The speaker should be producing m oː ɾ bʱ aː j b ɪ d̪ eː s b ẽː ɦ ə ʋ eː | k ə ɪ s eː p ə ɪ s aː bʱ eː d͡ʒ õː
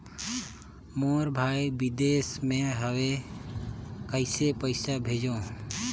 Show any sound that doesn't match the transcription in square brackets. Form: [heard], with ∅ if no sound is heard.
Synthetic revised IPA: m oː ɾ bʱ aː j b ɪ d̪ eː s [m] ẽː ɦ ə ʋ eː | k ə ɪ s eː p ə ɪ s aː bʱ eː d͡ʒ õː